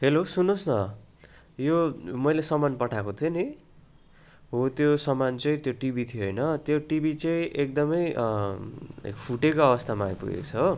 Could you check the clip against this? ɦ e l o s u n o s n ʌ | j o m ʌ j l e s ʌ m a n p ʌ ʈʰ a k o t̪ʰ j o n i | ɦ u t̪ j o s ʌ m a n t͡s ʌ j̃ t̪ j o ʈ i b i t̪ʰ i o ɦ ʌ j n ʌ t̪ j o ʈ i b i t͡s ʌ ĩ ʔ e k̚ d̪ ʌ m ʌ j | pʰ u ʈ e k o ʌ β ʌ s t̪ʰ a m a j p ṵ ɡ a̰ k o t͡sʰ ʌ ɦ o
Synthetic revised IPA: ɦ e l o s u n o s n ʌ | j o m ʌ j l e s ʌ m a n p ʌ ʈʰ a k o t̪ʰ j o n i | ɦ o t̪ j o s ʌ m a n t͡s ʌ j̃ t̪ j o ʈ i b i t̪ʰ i o ɦ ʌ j n ʌ t̪ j o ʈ i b i t͡s ʌ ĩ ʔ e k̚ d̪ ʌ m ʌ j | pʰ u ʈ e k o ʌ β ʌ s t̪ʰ a m a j p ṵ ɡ ḛ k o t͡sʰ ʌ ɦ o

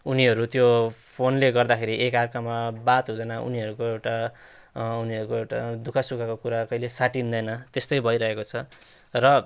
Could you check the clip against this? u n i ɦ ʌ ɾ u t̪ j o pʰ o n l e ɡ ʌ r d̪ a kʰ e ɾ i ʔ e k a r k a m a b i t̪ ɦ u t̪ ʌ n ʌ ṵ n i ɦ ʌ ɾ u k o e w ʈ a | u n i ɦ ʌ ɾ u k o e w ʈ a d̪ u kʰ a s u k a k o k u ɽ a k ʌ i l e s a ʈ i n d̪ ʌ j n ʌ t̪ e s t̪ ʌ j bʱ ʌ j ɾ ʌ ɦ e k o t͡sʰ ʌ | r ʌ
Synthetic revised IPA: u n i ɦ ʌ ɾ u t̪ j o pʰ o n l e ɡ ʌ r d̪ a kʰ e ɾ i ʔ e k a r k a m a b a t̪ ɦ u d̪ ʌ n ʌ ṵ n i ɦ ʌ ɾ u k o e w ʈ a | u n i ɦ ʌ ɾ u k o e w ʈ a d̪ u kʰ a s u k a k o k u ɾ a k ʌ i l e s a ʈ i n d̪ ʌ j n ʌ t̪ e s t̪ ʌ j bʱ ʌ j ɾ ʌ ɦ e k o t͡sʰ ʌ | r ʌ

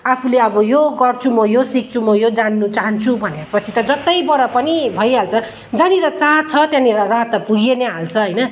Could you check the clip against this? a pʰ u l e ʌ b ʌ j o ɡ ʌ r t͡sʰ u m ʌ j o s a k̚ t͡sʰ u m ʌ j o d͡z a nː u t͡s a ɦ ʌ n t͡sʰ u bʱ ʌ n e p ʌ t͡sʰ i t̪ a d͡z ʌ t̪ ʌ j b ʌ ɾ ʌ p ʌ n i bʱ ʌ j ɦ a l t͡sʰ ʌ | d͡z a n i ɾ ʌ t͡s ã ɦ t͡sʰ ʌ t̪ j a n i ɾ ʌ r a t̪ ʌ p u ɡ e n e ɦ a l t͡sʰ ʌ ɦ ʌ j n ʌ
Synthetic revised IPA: a pʰ u l e ʌ b ʌ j o ɡ ʌ r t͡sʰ u m ʌ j o s i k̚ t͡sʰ u m ʌ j o d͡z a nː u t͡s a ɦ ʌ n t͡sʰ u bʱ ʌ n e p ʌ t͡sʰ i t̪ ʌ d͡z ʌ t̪ ʌ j b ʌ ɾ ʌ p ʌ n i bʱ ʌ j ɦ a l t͡sʰ ʌ | d͡z a n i ɾ ʌ t͡s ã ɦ t͡sʰ ʌ t̪ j a n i ɾ ʌ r a t̪ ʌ p u ɡ e n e ɦ a l t͡sʰ ʌ ɦ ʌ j n ʌ

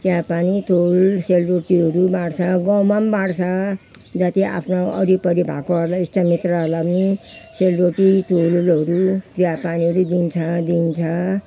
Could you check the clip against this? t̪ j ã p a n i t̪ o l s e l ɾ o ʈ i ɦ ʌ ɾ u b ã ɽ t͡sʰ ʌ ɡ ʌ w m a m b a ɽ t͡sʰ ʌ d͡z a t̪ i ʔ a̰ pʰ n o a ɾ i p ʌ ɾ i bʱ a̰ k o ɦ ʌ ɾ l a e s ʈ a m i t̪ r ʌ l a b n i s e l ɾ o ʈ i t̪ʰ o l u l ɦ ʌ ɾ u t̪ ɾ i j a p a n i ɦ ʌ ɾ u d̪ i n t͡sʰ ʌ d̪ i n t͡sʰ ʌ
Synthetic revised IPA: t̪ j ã p a n i t̪ o l s e l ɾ o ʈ i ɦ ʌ ɾ u b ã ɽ t͡sʰ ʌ ɡ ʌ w m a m b a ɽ t͡sʰ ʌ d͡z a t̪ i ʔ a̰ pʰ n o ʌ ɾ i p ʌ ɾ i bʱ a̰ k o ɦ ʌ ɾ l a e s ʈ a m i t̪ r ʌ l a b n i s e l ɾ o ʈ i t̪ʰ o l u l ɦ ʌ ɾ u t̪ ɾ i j a p a n i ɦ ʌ ɾ u d̪ i n t͡sʰ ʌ d̪ i n t͡sʰ ʌ

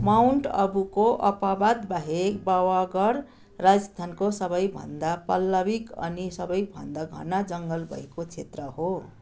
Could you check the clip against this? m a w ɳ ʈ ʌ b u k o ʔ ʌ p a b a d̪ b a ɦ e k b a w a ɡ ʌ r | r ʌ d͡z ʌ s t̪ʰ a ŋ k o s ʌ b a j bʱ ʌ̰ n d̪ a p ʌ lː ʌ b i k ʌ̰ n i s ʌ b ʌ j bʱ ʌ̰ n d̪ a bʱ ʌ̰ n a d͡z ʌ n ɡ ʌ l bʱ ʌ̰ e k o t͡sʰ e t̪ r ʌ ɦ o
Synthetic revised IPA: m a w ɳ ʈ ʌ b u k o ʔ ʌ p a b a d̪ b a ɦ e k b a w a ɡ ʌ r | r a d͡z ʌ s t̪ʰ a n k o s ʌ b ʌ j bʱ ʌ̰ n d̪ a p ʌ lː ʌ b i k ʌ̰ n i s ʌ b ʌ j bʱ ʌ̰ n d̪ a ɡʱ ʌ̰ n a d͡z ʌ ŋ ɡ ʌ l bʱ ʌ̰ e k o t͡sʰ e t̪ r ʌ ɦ o

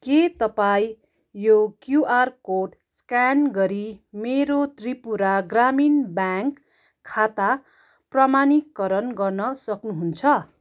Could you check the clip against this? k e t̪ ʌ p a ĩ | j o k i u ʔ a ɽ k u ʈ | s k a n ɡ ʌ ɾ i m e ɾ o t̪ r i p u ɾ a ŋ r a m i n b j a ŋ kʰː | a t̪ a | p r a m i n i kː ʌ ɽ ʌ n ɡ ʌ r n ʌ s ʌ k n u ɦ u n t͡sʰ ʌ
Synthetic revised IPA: k e t̪ ʌ p a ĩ | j o k j u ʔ a r k o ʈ | s k a n ɡ ʌ ɾ i m e ɾ o t̪ r i p u ɾ a ɡ r a m i n b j a ŋ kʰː | a t̪ a | p r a m a n i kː ʌ ɾ ʌ n ɡ ʌ r n ʌ s ʌ k n u ɦ u n t͡sʰ ʌ

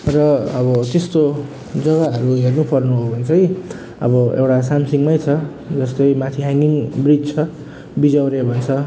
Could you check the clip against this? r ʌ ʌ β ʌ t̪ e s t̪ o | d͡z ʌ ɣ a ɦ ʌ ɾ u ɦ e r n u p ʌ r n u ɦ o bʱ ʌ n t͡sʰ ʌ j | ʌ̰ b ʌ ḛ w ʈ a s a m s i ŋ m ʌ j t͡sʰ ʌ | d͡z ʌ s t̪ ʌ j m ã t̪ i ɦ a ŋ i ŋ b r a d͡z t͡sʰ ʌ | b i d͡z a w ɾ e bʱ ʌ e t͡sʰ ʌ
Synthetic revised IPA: r ʌ ʌ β ʌ t̪ e s t̪ o | d͡z ʌ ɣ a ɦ ʌ ɾ u ɦ e r n u p ʌ r n u ɦ o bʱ ʌ n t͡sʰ ʌ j | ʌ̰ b ʌ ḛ w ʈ a s a m s i ŋ m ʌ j t͡sʰ ʌ | d͡z ʌ s t̪ ʌ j m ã t̪ʰ i ɦ a ŋ i ŋ b r i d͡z t͡sʰ ʌ | b i d͡z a w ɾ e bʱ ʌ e t͡sʰ ʌ

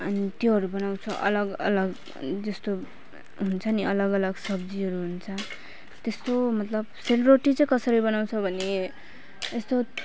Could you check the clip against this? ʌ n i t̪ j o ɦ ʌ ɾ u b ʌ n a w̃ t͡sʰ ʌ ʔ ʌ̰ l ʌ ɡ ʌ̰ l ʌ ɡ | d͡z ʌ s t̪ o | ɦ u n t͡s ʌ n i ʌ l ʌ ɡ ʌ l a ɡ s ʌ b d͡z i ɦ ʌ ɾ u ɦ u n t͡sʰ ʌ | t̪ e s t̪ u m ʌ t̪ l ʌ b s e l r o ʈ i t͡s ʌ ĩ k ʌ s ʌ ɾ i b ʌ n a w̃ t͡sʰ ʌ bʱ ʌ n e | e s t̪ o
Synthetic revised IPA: ʌ n i t̪ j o ɦ ʌ ɾ u b ʌ n a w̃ t͡sʰ ʌ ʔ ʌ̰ l ʌ ɡ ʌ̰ l ʌ ɡ | d͡z ʌ s t̪ o | ɦ u n t͡sʰ ʌ n i ʌ l ʌ ɡ ʌ l ʌ ɡ s ʌ b d͡z i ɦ ʌ ɾ u ɦ u n t͡sʰ ʌ | t̪ e s t̪ o m ʌ t̪ l ʌ b s e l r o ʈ i t͡s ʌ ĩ k ʌ s ʌ ɾ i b ʌ n a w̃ t͡sʰ ʌ bʱ ʌ n e | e s t̪ o

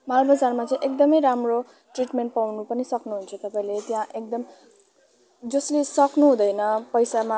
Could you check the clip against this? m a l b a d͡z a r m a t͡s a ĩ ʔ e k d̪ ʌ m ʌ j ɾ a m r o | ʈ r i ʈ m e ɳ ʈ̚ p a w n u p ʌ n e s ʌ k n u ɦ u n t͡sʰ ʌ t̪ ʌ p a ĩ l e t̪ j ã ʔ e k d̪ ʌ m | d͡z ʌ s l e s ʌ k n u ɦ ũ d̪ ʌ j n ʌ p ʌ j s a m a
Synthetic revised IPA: m a l b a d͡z a r m a t͡s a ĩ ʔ e k d̪ ʌ m ʌ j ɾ a m r o | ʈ r i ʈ m e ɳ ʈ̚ p a w n u p ʌ n i s ʌ k n u ɦ u n t͡sʰ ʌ t̪ ʌ p a ĩ l e t̪ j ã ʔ e k d̪ ʌ m | d͡z ʌ s l e s ʌ k n u ɦ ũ d̪ ʌ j n ʌ p ʌ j s a m a

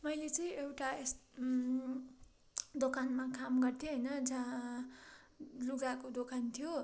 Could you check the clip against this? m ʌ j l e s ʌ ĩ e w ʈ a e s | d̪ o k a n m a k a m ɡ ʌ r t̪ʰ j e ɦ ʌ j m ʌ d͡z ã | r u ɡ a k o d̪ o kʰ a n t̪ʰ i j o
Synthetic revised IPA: m ʌ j l e t͡s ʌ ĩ e w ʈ a e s | d̪ o k a n m a k a m ɡ ʌ r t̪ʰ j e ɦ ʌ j n ʌ d͡z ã | l u ɡ a k o d̪ o k a n t̪ʰ i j o

